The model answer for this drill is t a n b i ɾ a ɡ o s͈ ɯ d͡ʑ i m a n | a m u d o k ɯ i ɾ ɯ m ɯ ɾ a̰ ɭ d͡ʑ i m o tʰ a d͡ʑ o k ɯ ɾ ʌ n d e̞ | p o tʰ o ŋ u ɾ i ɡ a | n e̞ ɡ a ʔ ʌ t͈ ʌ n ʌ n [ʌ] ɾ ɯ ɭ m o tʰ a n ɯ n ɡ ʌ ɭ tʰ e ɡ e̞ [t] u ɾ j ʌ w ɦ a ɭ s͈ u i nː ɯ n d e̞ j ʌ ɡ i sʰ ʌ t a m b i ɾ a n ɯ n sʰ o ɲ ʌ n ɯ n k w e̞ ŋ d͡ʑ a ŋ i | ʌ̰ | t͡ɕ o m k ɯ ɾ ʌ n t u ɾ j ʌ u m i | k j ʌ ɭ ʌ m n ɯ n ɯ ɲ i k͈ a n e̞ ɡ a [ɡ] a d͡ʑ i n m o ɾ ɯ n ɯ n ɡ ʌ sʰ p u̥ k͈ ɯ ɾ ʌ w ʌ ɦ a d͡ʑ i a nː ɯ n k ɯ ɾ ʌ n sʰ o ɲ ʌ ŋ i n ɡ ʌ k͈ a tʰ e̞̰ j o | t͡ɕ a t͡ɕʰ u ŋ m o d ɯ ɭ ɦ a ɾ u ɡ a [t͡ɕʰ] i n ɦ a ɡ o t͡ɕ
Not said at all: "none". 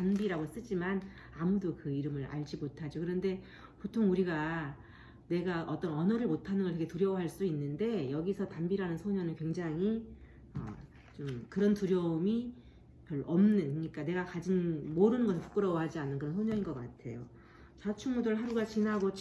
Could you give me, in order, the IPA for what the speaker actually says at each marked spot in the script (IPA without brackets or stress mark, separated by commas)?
ʌ, t, k, t͡ɕ